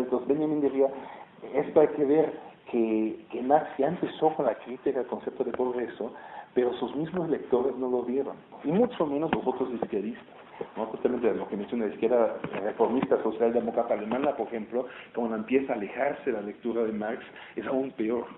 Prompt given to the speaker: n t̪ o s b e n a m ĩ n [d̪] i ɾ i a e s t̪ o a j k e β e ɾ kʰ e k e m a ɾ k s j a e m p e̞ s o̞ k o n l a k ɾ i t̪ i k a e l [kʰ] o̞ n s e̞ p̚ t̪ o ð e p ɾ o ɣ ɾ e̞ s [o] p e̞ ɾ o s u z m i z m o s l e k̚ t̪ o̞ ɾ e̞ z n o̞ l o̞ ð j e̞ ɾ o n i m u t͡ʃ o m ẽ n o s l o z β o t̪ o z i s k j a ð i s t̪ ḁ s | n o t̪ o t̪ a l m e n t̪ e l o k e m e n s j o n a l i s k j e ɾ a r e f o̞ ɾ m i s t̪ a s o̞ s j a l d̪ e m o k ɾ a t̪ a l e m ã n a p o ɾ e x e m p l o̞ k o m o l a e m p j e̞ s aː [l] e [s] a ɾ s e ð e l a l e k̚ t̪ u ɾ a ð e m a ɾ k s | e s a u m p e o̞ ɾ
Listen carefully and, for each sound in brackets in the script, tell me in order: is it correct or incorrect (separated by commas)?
correct, incorrect, correct, correct, incorrect